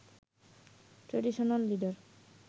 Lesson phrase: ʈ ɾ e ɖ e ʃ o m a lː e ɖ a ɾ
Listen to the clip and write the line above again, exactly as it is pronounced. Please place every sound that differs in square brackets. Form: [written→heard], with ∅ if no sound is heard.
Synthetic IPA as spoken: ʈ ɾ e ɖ [e→i] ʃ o [m→n] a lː [e→i] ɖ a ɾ